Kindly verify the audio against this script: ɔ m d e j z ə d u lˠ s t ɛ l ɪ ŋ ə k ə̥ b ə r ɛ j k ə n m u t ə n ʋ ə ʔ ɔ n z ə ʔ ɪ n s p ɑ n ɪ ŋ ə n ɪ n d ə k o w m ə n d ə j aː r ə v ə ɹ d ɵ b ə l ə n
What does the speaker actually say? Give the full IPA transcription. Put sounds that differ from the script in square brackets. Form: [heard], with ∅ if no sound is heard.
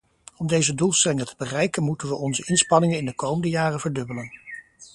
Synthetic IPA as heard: ɔ m d e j z ə d u lˠ s t ɛ l ɪ ŋ ə [t] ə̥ b ə r ɛ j k ə n m u t ə n ʋ ə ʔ ɔ n z ə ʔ ɪ n s p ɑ n ɪ ŋ ə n ɪ n d ə k o w m ə n d ə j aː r ə v ə ɹ d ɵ b ə l ə n